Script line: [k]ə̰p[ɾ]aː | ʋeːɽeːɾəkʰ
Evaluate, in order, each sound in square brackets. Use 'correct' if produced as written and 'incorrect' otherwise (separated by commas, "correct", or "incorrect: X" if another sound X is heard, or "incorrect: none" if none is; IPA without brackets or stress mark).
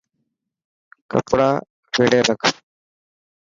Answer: correct, incorrect: ɽ